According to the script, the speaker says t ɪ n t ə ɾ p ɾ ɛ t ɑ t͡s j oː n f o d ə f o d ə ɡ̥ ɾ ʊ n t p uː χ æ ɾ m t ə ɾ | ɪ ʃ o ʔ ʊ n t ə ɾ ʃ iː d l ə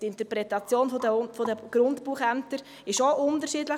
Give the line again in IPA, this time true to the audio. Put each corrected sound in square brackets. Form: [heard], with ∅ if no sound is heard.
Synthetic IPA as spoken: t ɪ n t ə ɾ p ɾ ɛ t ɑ t͡s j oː n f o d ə f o d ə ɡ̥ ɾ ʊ n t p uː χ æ [∅] m t ə ɾ | ɪ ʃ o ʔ ʊ n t ə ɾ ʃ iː d l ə